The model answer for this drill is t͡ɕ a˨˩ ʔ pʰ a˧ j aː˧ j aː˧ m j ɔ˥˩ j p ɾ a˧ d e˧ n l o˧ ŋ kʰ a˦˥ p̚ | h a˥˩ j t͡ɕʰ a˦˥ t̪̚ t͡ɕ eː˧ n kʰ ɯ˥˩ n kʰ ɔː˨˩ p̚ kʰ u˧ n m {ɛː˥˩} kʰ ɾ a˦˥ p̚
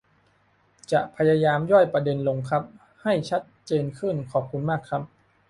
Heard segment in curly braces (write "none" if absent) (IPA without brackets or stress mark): aː˥˩